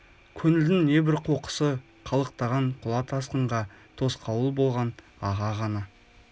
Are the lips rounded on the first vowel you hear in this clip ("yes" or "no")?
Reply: yes